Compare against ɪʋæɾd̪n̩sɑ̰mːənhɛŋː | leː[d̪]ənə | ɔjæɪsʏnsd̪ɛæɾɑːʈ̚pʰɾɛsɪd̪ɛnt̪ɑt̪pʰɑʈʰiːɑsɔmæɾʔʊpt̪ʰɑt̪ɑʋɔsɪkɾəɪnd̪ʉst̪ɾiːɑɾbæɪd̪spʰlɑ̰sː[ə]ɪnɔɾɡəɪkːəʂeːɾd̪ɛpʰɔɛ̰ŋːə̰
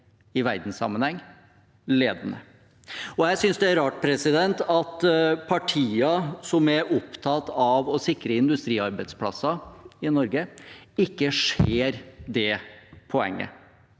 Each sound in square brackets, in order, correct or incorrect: correct, incorrect: ɑ

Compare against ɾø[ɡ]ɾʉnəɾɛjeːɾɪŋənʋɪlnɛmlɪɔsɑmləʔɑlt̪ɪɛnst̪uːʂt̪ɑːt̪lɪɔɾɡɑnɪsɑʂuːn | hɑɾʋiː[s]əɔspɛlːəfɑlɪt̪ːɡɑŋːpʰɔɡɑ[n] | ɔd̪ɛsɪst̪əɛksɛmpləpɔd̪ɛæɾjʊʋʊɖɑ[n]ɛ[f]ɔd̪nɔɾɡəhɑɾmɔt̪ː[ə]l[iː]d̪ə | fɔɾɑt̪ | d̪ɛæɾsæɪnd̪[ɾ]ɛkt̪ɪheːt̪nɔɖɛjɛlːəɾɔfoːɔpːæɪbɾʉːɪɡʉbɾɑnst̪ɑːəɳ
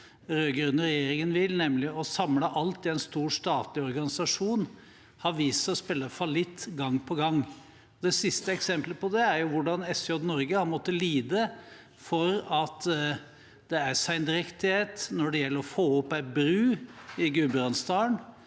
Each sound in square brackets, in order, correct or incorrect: correct, correct, incorrect: ŋ, correct, incorrect: s, correct, correct, correct

